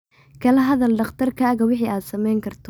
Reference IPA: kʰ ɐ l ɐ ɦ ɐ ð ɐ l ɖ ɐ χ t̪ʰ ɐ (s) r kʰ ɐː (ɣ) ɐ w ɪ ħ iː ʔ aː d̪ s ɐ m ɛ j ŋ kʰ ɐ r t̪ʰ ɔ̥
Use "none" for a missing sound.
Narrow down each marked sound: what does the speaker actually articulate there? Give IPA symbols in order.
none, ɣ

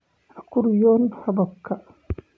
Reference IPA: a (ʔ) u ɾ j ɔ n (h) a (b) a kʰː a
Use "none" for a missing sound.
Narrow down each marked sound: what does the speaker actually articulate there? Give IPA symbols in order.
k, h, b

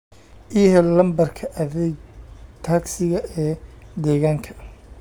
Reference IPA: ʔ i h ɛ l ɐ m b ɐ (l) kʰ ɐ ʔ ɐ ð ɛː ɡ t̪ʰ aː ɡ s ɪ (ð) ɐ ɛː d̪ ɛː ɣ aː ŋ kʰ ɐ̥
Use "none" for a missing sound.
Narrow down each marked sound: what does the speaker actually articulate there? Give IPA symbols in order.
r, ɣ

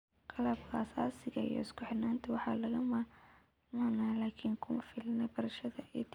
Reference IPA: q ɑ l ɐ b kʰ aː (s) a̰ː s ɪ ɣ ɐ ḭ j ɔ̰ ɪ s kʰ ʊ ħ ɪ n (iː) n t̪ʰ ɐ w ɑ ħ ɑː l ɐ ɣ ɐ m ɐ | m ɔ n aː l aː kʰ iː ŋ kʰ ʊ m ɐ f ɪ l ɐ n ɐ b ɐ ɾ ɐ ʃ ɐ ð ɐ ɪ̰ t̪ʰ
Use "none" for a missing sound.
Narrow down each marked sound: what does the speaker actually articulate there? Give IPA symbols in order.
s, aː

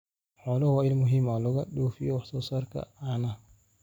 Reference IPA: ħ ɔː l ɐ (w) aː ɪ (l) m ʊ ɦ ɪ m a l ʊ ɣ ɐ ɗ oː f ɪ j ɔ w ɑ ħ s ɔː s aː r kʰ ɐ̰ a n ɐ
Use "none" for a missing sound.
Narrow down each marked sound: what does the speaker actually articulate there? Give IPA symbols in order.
w, l

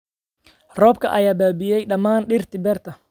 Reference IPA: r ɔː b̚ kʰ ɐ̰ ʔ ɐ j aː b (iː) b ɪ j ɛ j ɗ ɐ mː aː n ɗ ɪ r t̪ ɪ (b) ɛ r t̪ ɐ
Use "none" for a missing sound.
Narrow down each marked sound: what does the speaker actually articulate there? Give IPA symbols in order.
aː, b

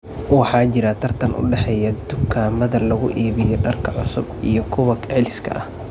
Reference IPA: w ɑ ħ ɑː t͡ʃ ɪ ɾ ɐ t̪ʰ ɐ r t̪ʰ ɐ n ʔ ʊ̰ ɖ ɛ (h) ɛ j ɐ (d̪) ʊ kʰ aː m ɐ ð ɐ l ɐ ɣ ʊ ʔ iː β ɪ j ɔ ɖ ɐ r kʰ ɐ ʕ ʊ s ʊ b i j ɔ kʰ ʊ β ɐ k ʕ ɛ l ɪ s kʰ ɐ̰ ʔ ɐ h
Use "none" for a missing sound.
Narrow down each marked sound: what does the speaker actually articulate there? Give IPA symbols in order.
ħ, d̪

